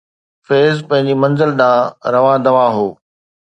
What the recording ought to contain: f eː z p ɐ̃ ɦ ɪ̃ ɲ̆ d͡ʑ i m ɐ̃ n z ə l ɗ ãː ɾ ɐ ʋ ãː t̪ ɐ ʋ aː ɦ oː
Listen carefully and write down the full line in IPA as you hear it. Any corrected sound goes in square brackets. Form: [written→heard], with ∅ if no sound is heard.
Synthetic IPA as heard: f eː z p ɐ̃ ɦ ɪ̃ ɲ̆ d͡ʑ i m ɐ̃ n z ə l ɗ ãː ɾ ɐ ʋ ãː [t̪→d̪] ɐ ʋ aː ɦ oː